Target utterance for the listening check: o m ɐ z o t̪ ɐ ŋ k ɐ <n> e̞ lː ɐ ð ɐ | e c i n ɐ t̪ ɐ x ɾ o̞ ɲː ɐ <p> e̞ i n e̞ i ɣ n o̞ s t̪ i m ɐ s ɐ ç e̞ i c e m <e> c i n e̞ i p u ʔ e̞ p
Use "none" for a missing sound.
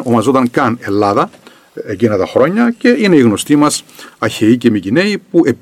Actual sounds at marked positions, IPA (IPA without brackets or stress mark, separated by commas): n, c, i